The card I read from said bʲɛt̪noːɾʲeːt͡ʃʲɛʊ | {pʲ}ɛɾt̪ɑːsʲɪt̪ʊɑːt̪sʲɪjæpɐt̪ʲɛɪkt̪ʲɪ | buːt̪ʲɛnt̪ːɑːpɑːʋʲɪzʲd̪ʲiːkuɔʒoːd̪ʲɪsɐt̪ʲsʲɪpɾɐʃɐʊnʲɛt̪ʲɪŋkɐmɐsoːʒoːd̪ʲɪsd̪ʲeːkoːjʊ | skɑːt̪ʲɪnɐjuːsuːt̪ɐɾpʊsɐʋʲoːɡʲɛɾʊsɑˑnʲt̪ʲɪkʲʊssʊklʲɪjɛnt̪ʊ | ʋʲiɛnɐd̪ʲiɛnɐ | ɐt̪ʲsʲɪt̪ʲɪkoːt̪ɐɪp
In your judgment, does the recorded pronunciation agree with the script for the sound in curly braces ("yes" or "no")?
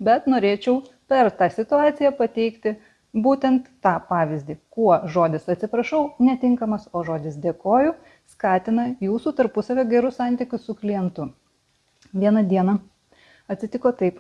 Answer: yes